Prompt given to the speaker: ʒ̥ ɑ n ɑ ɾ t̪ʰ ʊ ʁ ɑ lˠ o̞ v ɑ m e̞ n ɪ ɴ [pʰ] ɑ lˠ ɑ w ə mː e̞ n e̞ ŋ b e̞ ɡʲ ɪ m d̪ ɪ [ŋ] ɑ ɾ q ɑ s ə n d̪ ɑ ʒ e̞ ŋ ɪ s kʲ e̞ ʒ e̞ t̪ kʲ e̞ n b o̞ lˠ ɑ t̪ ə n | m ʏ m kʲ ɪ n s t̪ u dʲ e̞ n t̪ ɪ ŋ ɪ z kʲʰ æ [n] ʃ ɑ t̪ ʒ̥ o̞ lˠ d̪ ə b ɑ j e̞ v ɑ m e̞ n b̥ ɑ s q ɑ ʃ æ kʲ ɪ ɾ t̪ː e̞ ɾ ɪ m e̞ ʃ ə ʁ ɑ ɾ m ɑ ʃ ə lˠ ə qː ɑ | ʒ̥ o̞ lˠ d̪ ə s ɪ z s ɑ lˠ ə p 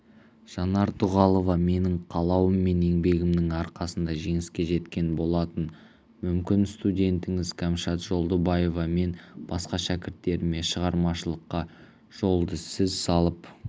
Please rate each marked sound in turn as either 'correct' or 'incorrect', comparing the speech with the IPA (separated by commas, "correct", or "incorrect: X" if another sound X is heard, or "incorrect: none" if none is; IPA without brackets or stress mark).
incorrect: qʰ, correct, incorrect: m